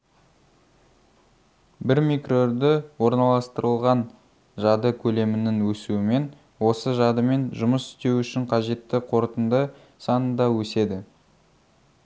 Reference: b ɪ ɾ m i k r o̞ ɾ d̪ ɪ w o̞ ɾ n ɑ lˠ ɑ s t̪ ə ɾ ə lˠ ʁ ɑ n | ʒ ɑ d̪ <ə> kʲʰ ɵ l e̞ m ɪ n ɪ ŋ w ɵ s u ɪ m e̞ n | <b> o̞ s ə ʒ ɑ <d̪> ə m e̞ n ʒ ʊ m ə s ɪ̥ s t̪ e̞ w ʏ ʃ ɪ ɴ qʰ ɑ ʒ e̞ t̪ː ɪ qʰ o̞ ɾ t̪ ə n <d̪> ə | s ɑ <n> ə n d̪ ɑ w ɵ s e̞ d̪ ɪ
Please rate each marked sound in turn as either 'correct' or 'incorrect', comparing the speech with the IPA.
correct, incorrect: w, correct, correct, correct

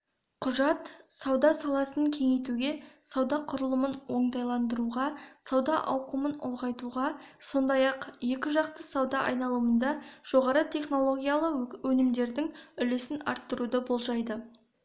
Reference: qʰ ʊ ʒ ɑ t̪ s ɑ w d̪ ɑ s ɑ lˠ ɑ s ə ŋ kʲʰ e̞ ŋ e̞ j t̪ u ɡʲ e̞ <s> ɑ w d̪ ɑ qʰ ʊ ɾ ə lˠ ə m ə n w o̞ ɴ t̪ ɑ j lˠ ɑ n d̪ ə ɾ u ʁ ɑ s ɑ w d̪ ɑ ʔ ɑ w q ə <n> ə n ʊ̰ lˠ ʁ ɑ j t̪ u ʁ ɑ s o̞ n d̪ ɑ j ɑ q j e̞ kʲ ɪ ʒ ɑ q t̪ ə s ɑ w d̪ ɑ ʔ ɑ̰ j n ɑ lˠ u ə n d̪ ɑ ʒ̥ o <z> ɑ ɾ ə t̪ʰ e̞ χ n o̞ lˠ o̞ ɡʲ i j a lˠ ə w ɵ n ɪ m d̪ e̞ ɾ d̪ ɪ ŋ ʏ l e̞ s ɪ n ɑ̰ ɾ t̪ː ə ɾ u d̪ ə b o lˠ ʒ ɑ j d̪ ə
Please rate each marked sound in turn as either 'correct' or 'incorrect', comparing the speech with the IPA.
correct, incorrect: m, incorrect: ʁ

